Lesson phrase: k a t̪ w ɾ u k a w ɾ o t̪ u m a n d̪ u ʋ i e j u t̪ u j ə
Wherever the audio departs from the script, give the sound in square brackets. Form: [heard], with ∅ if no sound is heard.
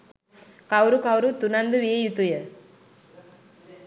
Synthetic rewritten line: k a [∅] w ɾ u k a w ɾ [u] t̪ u [n] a n d̪ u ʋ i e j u t̪ u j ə